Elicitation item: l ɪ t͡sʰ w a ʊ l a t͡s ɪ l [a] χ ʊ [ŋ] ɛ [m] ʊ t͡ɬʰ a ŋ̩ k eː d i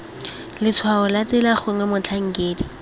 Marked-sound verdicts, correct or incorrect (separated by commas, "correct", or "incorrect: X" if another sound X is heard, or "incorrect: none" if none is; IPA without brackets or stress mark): correct, correct, correct